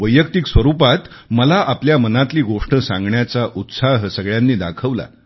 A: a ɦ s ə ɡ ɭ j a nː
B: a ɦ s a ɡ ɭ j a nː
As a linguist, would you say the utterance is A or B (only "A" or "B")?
A